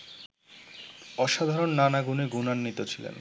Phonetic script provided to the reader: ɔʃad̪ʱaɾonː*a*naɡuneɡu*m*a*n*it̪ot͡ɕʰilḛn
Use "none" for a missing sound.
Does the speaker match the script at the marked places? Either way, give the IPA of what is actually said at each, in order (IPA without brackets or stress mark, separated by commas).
a, n, nː